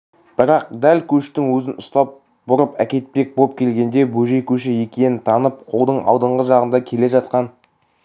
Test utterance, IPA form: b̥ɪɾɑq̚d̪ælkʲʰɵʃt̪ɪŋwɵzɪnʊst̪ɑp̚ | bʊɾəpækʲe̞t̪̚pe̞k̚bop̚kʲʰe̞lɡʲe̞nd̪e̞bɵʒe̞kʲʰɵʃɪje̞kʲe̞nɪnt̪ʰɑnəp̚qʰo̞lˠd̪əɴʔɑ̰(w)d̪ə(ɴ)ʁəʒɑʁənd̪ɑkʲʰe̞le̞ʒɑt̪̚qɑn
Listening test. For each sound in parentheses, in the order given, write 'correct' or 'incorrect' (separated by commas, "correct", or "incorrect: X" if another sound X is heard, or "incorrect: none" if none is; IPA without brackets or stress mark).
correct, correct